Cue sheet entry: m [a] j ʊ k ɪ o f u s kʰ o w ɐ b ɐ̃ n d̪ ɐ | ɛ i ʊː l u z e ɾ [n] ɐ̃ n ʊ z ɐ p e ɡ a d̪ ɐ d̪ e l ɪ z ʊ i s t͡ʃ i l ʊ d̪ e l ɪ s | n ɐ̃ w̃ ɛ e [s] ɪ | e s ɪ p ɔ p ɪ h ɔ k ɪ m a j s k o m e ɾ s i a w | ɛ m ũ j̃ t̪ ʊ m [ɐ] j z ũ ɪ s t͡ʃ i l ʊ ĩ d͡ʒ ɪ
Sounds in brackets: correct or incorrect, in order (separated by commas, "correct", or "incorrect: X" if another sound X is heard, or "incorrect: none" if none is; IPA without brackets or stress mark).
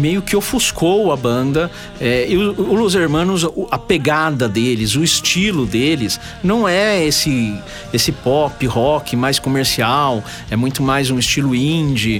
incorrect: e, incorrect: m, correct, incorrect: a